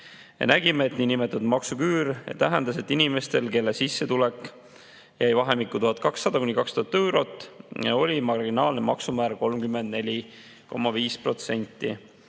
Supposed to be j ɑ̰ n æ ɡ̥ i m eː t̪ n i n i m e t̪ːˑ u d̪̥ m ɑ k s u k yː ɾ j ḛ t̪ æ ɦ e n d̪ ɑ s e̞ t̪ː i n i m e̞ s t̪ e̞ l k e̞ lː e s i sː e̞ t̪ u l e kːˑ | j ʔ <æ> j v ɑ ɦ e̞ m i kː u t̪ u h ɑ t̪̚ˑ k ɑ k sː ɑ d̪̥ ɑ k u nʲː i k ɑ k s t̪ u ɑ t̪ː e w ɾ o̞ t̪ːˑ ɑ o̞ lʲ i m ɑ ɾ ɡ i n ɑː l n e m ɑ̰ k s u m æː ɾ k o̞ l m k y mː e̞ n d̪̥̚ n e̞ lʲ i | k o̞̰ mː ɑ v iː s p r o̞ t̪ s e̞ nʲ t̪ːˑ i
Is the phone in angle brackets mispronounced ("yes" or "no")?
no